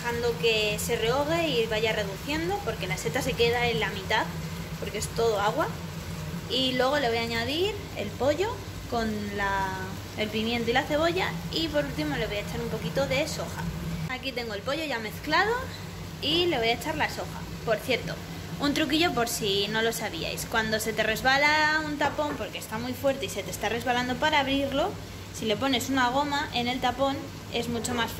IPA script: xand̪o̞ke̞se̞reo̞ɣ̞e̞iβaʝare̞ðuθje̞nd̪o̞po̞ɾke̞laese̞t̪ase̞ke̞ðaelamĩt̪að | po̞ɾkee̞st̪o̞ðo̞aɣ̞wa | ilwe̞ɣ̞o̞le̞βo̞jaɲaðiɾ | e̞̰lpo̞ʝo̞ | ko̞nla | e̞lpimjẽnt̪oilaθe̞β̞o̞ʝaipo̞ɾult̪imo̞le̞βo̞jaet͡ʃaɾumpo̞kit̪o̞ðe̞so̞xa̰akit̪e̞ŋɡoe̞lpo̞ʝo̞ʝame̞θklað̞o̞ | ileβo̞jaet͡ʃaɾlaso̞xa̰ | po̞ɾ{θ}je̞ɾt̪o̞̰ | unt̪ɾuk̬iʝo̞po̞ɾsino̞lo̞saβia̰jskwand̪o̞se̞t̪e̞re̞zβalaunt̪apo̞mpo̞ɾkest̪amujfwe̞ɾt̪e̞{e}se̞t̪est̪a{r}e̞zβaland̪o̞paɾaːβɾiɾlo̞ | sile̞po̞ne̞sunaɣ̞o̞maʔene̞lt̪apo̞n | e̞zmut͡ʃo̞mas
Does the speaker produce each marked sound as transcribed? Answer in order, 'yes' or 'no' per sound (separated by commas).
yes, no, yes